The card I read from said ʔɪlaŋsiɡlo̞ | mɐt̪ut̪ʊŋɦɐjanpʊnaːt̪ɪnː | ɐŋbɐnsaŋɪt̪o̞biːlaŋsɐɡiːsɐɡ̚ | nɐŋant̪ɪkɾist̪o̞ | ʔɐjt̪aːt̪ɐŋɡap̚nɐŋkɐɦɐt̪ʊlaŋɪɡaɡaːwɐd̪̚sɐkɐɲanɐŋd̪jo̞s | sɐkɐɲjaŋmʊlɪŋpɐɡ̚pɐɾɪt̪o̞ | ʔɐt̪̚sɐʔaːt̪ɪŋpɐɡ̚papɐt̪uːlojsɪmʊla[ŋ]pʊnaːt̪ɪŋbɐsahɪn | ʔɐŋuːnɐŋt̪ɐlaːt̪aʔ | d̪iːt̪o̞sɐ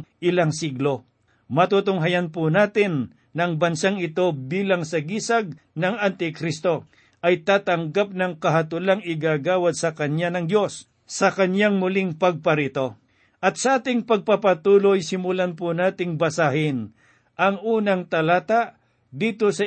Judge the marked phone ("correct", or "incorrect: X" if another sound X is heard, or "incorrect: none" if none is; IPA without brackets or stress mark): incorrect: n